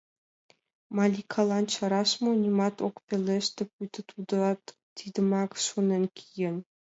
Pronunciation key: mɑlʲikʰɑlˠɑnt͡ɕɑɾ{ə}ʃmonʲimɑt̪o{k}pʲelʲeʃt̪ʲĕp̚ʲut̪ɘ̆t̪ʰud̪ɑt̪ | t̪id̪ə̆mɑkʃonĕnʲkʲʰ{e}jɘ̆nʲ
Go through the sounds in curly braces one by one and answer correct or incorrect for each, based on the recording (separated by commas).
incorrect, correct, incorrect